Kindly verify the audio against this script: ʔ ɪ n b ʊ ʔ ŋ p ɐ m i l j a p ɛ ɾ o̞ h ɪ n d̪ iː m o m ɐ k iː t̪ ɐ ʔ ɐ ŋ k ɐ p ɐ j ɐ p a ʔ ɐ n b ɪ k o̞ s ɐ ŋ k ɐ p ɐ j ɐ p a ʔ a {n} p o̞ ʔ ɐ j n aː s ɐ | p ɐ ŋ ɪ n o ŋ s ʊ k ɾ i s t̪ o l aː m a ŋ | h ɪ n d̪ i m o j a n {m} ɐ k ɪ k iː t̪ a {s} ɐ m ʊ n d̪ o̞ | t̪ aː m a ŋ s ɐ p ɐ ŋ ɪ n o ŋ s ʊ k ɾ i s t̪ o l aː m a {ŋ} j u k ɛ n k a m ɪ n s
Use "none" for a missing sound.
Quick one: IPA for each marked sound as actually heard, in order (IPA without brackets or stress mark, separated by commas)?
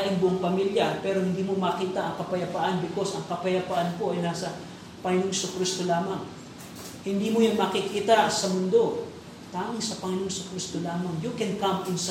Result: n, m, s, ŋ